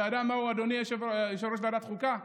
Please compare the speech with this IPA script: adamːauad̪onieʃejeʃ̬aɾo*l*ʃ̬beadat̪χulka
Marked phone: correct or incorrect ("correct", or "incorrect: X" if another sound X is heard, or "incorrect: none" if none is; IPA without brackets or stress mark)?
incorrect: none